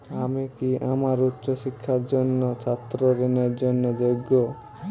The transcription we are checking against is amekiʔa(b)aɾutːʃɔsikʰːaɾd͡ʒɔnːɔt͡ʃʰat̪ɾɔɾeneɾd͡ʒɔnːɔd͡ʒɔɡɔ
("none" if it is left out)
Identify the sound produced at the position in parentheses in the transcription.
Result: m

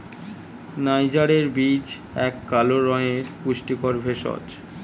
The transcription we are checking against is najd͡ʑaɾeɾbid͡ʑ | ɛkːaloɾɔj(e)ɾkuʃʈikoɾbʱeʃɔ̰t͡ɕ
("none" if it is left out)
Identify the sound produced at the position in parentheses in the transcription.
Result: e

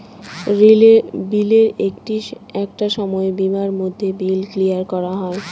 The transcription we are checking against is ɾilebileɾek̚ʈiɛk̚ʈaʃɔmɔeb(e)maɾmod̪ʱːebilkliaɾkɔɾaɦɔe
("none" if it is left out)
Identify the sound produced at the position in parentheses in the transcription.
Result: i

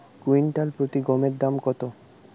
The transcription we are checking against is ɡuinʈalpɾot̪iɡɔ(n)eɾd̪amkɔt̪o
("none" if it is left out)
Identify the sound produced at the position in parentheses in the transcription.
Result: m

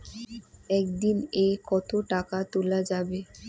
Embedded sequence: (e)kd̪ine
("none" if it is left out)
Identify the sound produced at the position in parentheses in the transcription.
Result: ɛ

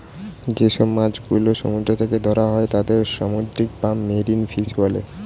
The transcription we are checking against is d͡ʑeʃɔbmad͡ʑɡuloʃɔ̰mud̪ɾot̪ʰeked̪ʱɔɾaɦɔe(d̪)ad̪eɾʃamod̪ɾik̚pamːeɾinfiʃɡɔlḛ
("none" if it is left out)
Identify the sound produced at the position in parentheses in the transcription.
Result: t̪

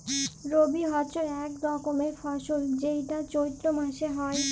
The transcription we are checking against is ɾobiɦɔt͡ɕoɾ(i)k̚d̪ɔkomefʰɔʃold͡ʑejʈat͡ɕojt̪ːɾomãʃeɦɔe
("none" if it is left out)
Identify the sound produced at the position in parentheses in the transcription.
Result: ɛ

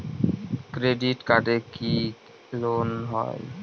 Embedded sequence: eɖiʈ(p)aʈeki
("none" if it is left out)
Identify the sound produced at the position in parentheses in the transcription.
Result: k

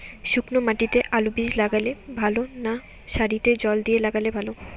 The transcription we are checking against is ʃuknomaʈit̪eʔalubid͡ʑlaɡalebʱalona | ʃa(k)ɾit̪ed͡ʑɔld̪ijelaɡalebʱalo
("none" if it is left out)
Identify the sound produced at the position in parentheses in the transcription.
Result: none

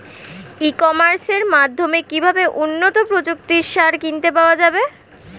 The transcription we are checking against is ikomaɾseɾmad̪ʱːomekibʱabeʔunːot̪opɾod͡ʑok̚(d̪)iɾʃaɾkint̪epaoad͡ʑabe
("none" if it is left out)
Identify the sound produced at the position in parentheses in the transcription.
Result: t̪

